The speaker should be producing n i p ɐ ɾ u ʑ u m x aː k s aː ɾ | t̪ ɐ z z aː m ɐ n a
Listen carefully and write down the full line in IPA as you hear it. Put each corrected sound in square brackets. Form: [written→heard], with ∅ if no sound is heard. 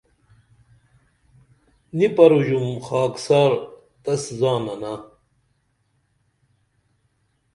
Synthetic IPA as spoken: n i p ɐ ɾ u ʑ u m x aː k s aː ɾ | t̪ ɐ [z→s] z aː [m→n] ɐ n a